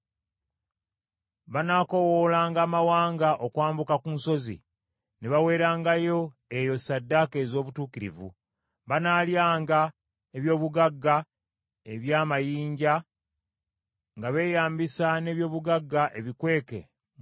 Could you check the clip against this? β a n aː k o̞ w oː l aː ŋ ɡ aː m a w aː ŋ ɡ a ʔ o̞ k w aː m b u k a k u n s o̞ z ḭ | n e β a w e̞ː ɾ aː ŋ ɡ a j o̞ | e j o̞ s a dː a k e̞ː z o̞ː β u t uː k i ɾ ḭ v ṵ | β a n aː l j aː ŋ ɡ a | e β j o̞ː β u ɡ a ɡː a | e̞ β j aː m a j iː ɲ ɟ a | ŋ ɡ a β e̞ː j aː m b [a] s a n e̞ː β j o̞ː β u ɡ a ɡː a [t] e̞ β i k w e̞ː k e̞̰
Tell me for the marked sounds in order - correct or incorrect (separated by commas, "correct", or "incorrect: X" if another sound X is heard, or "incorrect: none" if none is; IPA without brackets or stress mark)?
incorrect: i, incorrect: ʔ